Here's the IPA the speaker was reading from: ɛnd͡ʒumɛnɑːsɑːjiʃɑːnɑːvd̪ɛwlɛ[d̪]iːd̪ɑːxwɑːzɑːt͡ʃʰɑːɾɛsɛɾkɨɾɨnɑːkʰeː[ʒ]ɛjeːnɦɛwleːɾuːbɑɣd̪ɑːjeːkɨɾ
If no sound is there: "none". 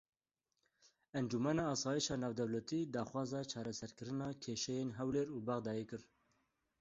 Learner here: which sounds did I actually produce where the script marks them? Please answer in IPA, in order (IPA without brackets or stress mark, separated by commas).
t̪, ʃ